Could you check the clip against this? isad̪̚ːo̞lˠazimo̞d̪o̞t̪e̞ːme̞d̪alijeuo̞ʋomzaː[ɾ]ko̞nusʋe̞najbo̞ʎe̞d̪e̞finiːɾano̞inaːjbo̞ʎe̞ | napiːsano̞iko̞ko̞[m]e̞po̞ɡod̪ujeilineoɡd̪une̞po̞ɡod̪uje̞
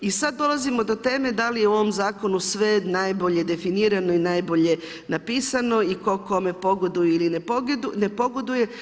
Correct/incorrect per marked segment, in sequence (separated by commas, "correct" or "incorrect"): incorrect, correct